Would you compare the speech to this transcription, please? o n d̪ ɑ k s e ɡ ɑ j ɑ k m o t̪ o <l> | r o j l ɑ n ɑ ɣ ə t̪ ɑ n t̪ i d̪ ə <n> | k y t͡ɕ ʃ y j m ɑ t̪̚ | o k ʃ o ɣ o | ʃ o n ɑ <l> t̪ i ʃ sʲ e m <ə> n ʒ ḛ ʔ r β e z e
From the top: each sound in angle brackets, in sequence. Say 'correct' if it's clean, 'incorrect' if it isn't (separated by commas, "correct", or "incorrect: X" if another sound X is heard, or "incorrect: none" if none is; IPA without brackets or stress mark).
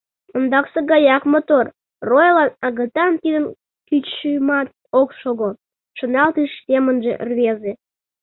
incorrect: r, correct, correct, correct